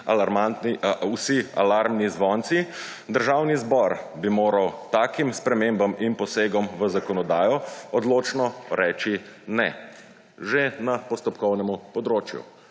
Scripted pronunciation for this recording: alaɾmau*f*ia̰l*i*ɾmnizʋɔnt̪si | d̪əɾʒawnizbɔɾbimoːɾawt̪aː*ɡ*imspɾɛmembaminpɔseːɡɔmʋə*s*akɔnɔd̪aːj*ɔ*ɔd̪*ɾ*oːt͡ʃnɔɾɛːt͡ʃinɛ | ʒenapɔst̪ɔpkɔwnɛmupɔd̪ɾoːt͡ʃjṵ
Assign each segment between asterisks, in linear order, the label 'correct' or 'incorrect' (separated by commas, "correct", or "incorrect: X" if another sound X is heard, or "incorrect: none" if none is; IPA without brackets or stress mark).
incorrect: s, incorrect: a, incorrect: k, incorrect: z, correct, incorrect: l